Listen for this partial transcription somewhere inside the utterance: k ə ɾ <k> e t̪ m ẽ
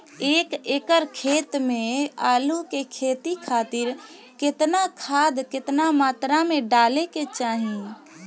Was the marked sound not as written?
yes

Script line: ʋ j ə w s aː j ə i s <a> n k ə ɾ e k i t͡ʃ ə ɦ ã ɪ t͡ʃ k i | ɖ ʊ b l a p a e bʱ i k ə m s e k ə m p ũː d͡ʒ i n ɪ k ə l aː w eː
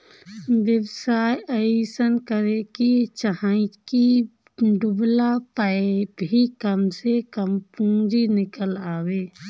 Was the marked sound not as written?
yes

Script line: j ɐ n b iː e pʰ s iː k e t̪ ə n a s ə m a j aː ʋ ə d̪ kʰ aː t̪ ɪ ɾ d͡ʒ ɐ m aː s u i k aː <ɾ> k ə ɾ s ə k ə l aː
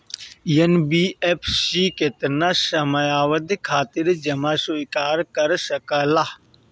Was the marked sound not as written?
no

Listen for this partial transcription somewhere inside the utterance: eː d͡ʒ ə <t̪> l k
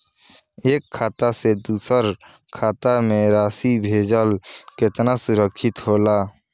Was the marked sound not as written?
yes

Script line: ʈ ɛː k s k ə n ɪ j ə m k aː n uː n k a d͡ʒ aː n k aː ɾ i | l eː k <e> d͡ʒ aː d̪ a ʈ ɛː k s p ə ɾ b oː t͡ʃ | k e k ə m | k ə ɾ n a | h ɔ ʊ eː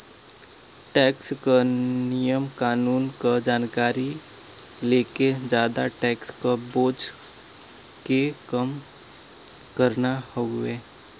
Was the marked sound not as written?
no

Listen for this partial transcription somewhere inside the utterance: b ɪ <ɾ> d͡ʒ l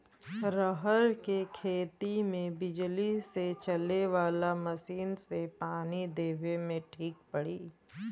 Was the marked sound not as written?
yes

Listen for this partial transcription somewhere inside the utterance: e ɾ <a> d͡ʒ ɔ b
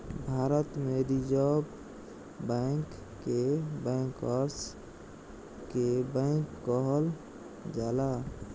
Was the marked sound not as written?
yes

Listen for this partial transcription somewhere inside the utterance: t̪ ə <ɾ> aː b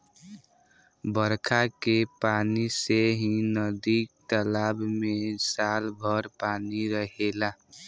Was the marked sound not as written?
yes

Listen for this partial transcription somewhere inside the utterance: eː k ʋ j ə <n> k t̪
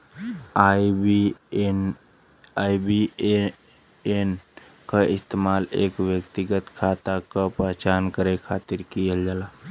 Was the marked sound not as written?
yes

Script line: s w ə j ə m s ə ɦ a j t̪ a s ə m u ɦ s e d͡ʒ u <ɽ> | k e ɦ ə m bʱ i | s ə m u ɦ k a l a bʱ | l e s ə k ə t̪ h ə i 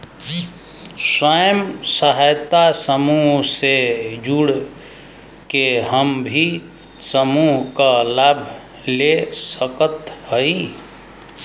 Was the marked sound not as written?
no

